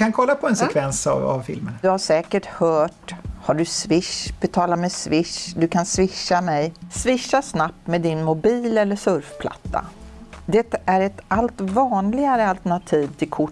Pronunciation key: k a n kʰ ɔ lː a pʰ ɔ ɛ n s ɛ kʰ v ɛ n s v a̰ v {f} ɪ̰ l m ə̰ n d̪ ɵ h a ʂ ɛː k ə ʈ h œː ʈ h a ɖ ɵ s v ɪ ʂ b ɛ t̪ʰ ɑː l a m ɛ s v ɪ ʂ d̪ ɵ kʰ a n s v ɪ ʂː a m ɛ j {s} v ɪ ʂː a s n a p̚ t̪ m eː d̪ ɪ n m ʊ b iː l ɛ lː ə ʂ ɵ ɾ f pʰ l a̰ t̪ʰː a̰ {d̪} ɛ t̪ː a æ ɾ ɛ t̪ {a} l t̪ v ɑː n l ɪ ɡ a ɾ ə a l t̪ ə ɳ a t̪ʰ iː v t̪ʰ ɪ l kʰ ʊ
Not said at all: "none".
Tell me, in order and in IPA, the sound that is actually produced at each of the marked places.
f, s, d̪, a

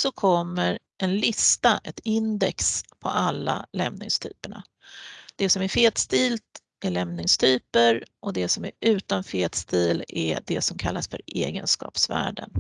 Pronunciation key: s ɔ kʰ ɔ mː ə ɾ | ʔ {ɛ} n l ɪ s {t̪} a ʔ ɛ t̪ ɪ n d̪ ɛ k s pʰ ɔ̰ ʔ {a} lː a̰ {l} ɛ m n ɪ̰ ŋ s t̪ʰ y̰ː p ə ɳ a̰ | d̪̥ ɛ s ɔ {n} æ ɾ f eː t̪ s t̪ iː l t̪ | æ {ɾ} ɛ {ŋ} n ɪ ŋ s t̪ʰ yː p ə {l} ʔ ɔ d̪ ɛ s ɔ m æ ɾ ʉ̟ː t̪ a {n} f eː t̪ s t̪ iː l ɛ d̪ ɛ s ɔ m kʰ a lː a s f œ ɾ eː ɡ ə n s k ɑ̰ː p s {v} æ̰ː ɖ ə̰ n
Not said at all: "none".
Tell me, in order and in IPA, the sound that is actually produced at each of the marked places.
ɛ, t̪, a, l, m, ɭ, m, ɾ, n, v

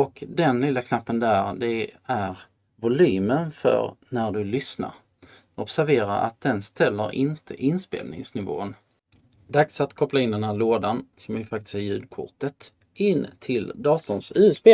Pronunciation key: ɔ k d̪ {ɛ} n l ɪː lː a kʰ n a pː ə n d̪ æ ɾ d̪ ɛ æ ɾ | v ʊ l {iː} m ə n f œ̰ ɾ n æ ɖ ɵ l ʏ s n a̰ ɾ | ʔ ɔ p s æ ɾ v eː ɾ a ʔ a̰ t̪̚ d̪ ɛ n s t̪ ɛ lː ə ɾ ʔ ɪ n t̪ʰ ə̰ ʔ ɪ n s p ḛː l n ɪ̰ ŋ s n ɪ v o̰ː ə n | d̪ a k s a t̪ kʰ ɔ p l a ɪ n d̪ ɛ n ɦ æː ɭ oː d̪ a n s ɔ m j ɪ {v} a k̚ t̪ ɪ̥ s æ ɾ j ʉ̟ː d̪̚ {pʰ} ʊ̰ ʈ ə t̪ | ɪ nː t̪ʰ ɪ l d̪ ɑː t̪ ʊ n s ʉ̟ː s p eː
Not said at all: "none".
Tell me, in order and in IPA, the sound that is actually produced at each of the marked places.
ɛ, yː, f, kʰ

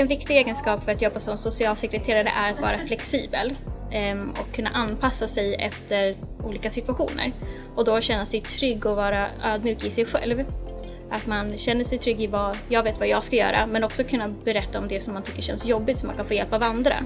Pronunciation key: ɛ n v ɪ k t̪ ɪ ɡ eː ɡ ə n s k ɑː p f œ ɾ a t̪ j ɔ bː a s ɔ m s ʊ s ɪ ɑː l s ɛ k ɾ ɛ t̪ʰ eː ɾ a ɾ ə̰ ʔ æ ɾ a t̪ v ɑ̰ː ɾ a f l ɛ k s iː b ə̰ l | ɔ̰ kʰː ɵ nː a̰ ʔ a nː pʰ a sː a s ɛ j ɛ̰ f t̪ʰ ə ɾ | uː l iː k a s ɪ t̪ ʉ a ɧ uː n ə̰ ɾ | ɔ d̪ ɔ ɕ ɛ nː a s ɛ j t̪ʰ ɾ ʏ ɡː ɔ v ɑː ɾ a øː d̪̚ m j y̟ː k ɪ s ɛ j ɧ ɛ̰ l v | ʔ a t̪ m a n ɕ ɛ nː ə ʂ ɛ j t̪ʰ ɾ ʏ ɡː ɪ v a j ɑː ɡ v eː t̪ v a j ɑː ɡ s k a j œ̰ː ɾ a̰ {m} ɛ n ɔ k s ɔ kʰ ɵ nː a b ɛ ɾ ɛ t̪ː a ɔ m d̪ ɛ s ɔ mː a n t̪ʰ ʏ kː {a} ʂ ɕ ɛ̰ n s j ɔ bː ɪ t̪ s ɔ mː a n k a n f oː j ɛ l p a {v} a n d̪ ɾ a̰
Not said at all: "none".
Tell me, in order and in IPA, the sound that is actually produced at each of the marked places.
m, ə, v

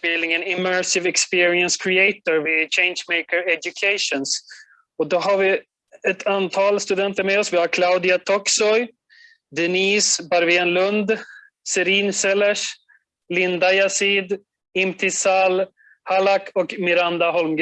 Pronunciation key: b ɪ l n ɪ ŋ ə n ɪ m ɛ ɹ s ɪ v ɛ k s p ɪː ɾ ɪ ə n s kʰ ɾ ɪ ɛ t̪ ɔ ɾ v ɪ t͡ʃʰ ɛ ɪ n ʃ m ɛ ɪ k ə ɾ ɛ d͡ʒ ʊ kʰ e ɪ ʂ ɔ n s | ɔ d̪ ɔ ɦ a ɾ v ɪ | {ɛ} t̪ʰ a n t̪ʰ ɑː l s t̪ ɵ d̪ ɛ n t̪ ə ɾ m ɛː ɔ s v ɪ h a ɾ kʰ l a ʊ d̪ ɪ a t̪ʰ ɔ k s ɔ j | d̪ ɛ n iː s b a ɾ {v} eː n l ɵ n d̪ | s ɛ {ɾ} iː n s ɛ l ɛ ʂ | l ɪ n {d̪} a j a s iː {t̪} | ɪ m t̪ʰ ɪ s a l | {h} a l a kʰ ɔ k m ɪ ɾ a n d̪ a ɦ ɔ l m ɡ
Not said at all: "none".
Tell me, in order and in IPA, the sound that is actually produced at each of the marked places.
ɛ, v, ɾ, d̪, d̪, h

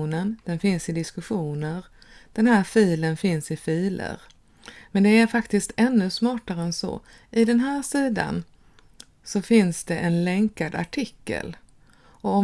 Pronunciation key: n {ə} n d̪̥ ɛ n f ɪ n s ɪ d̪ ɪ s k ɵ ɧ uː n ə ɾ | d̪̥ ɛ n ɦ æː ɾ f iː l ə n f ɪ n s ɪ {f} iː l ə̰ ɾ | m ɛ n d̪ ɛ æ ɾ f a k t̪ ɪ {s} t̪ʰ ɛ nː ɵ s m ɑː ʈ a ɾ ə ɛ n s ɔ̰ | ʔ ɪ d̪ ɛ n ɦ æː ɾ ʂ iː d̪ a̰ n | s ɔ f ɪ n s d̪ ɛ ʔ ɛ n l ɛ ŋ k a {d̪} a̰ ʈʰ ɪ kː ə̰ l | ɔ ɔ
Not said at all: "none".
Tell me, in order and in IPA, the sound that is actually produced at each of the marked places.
ə, f, s, d̪

